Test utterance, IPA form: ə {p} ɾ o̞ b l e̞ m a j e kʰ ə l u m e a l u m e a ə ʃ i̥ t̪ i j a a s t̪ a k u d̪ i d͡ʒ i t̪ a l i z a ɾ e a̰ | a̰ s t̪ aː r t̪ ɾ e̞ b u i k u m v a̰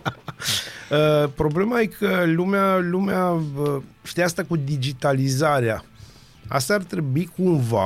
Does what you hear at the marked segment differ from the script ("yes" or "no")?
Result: no